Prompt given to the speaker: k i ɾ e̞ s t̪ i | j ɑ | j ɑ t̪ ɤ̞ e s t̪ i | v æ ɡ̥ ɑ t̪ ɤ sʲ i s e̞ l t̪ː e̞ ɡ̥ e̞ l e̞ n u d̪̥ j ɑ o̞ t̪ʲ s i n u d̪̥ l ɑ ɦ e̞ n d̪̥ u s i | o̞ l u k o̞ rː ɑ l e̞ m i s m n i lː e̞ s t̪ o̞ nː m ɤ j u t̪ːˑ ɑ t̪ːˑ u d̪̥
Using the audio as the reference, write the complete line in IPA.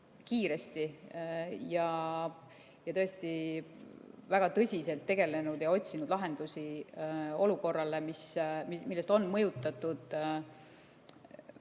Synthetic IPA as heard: k iː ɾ e̞ s t̪ i | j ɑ | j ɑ t̪ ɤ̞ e s t̪ i | v æ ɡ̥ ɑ t̪ ɤ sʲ i s e̞ l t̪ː e̞ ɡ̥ e̞ l e̞ n u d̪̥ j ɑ o̞ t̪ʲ s i n u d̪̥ l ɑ ɦ e̞ n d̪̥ u s i | o̞ l u k o̞ rː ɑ l e̞ m i s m m i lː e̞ s t̪ o̞ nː m ɤ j u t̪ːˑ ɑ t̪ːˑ u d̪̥